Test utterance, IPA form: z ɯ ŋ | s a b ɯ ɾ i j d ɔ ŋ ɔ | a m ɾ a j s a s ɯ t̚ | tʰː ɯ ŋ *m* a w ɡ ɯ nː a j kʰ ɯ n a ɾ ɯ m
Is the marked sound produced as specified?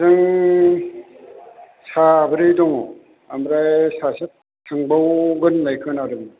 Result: no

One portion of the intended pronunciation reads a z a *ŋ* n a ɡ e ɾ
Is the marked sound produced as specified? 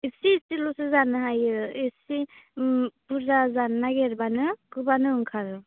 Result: no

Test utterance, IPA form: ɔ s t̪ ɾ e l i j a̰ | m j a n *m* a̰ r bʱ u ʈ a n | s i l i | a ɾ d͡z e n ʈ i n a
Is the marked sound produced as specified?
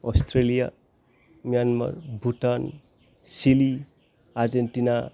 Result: yes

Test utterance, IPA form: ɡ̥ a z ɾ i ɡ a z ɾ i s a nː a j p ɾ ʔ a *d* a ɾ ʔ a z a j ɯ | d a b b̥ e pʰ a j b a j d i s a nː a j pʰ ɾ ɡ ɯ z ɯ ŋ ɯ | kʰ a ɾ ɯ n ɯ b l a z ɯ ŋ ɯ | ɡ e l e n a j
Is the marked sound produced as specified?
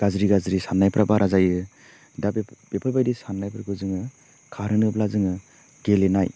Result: no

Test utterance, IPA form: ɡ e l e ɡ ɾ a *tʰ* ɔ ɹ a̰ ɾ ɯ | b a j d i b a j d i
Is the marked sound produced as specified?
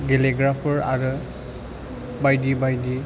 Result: no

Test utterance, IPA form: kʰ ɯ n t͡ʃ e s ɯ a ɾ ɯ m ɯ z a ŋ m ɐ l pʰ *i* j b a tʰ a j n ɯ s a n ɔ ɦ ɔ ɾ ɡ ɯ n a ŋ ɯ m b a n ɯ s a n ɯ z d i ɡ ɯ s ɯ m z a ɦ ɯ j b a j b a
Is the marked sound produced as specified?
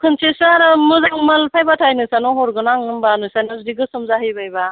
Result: no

